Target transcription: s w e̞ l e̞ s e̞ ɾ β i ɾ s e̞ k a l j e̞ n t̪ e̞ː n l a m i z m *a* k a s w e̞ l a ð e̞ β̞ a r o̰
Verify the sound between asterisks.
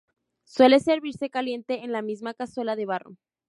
correct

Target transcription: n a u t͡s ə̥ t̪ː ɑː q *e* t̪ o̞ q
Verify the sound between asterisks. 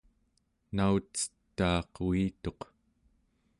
incorrect: i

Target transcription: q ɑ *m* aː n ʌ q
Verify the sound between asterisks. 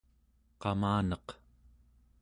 correct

